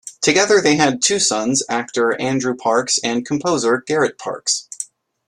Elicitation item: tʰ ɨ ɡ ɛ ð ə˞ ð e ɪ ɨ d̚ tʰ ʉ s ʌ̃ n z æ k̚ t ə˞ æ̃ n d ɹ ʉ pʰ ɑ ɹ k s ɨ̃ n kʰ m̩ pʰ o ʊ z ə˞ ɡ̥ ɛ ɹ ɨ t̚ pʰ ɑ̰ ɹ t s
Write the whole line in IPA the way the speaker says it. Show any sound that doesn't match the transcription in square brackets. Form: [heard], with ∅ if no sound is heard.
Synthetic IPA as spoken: tʰ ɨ ɡ ɛ ð ə˞ ð e ɪ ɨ d̚ tʰ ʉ s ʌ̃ n z æ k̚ t ə˞ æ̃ n d ɹ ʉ pʰ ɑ ɹ k s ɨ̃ n kʰ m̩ pʰ o ʊ z ə˞ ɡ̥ ɛ ɹ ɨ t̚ pʰ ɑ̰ ɹ [k] s